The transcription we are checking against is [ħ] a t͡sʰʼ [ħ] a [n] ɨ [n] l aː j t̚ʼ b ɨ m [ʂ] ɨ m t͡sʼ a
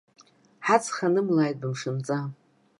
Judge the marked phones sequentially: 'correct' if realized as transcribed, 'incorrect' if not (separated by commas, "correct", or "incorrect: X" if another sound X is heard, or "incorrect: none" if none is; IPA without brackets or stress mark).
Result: correct, incorrect: χ, correct, incorrect: m, correct